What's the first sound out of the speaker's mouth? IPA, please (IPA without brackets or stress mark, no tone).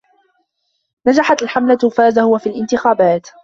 n